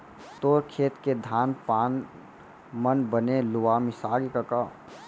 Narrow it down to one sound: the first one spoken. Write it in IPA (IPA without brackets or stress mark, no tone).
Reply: t̪